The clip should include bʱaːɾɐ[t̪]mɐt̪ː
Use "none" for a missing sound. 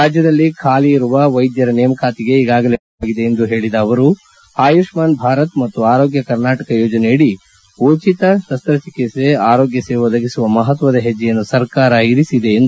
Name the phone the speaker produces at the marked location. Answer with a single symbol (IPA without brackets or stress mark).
t̪